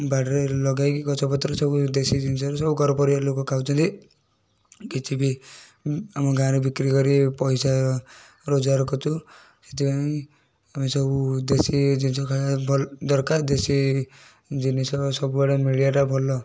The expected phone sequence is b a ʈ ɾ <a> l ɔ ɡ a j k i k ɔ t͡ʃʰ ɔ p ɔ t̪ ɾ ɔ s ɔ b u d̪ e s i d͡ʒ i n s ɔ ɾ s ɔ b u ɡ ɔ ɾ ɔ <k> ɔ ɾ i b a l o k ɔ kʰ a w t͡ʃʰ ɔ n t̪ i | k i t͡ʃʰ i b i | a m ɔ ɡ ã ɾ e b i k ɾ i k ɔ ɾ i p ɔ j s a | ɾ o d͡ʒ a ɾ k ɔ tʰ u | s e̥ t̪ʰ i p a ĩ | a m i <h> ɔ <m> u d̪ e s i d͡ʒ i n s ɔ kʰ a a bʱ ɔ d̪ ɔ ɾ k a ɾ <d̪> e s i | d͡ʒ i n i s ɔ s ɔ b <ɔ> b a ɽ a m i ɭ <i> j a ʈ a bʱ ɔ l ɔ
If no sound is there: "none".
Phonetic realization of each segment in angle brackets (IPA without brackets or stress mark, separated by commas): e, p, s, b, d̪, u, i